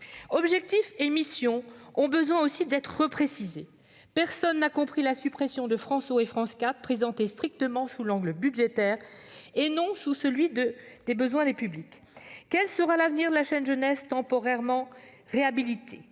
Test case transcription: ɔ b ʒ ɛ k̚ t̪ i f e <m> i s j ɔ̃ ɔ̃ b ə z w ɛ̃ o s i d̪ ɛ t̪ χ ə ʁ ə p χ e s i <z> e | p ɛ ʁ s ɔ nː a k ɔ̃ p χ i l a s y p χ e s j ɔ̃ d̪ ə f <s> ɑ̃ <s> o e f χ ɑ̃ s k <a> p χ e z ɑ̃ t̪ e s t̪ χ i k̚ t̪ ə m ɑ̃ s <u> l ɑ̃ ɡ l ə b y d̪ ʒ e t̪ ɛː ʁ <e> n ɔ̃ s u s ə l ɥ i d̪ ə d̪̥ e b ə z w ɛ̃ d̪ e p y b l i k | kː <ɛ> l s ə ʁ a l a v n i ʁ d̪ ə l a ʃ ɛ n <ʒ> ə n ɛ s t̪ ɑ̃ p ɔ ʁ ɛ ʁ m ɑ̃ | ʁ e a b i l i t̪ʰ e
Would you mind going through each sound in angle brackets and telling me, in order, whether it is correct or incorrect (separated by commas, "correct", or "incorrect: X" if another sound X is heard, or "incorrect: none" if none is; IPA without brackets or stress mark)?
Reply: correct, correct, incorrect: χ, correct, correct, correct, correct, correct, correct